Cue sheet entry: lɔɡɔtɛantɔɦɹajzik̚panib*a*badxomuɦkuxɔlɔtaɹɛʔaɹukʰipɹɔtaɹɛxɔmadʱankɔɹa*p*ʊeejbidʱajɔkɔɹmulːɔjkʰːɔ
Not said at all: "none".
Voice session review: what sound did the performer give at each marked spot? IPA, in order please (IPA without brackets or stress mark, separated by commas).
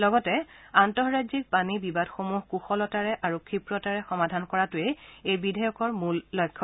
i, t